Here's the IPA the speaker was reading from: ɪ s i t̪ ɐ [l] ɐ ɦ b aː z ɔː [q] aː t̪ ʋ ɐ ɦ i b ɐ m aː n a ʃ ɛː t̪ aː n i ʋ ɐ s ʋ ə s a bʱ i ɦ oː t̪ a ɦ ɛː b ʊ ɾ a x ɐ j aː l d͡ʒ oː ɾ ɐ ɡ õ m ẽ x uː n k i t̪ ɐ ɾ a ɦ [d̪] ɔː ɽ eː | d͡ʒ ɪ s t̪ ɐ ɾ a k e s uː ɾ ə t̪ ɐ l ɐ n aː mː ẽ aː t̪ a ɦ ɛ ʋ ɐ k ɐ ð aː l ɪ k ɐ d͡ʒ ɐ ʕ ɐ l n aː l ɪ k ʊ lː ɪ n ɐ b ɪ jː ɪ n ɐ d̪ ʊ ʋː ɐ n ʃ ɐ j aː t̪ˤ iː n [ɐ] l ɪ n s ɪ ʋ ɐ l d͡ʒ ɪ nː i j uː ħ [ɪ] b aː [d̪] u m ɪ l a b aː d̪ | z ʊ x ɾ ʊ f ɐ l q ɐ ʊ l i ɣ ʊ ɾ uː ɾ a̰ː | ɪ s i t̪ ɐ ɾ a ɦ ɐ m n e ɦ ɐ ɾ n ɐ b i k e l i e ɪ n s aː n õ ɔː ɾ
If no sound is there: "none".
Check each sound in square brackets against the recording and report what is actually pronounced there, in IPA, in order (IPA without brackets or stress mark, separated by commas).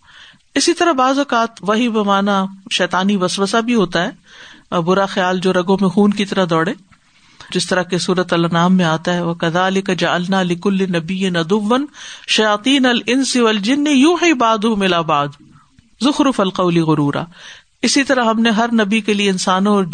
ɾ, k, d̪, ɐ, i, d̪